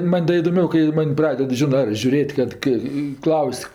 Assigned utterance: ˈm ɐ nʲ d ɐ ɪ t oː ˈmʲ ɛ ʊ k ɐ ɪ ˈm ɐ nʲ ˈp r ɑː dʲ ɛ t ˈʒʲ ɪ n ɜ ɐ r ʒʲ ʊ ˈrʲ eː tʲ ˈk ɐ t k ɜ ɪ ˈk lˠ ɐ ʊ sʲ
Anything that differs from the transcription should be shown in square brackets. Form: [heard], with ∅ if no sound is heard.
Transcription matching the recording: ˈm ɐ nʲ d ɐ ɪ [d] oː ˈmʲ ɛ ʊ k ɐ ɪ ˈm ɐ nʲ ˈp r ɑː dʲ ɛ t ˈʒʲ ɪ n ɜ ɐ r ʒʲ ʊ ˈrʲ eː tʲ ˈk ɐ t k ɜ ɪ ˈk lˠ ɐ ʊ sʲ

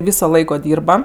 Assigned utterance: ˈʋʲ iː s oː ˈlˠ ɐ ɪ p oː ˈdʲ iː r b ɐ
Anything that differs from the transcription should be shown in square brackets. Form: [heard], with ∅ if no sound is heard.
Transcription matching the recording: ˈʋʲ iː s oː ˈlˠ ɐ ɪ [k] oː ˈdʲ iː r b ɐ

